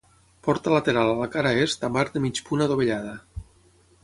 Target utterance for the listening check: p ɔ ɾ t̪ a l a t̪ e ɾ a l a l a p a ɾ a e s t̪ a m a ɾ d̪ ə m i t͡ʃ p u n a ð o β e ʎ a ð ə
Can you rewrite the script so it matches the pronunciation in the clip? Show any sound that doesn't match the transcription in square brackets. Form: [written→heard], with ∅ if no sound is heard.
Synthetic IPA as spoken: p ɔ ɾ t̪ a l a t̪ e ɾ a l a l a [p→k] a ɾ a e s t̪ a m a ɾ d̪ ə m i t͡ʃ p u n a ð o β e ʎ a ð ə